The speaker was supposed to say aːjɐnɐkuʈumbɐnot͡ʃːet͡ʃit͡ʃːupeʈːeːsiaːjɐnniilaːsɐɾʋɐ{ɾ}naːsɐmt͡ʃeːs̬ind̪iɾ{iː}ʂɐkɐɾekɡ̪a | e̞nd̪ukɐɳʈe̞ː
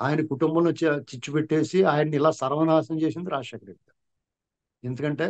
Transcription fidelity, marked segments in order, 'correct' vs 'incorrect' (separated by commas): incorrect, incorrect